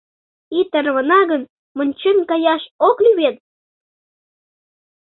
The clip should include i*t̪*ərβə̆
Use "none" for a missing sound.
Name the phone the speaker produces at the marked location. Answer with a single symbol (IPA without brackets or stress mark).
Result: t̪